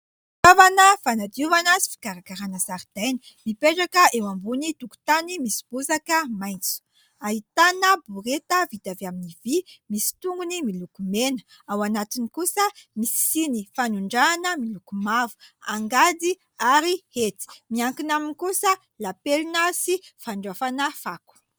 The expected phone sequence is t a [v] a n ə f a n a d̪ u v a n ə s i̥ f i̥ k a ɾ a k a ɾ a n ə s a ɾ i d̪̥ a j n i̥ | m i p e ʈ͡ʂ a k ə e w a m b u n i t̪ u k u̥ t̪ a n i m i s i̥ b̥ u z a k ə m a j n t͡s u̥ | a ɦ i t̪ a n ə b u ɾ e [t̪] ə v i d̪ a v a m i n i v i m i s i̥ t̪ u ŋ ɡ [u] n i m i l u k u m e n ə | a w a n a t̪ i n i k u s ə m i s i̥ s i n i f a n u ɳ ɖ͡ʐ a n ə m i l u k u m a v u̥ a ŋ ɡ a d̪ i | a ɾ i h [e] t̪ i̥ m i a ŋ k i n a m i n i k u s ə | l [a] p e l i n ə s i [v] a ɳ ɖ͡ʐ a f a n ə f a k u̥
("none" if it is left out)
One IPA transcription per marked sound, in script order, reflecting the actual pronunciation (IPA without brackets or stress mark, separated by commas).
v, t̪, u, e, a, f